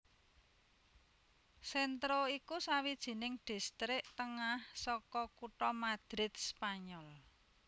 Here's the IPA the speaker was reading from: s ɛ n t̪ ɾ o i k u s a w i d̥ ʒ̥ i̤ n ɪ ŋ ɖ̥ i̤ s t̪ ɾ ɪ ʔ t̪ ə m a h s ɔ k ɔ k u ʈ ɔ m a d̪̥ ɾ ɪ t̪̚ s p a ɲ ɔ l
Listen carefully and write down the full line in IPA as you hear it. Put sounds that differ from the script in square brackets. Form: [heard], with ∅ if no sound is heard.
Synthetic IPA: s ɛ n t̪ ɾ o i k u s a w i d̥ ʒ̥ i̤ n ɪ ŋ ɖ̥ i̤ s t̪ ɾ ɪ ʔ t̪ ə [ŋ] a h s ɔ k ɔ k u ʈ ɔ m a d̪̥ ɾ ɪ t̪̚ s p a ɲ ɔ l